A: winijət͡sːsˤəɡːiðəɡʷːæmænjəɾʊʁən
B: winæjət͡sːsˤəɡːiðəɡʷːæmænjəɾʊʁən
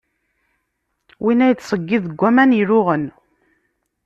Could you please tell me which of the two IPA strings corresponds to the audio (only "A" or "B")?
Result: B